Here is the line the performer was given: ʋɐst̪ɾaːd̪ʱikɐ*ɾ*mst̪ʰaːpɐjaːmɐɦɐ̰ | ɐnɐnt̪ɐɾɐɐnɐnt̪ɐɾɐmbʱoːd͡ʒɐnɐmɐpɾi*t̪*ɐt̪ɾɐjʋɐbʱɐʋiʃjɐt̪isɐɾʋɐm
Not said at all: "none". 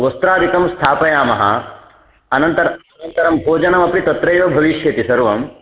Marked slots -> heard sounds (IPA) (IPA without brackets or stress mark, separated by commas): none, t̪